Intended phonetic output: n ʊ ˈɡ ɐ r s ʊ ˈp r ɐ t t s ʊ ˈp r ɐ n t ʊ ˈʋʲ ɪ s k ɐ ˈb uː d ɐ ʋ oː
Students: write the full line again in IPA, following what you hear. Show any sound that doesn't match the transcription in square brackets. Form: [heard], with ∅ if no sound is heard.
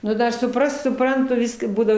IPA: n ʊ [ˈd] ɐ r s ʊ ˈp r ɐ [s] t s ʊ ˈp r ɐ n t ʊ ˈʋʲ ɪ s k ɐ ˈb uː d ɐ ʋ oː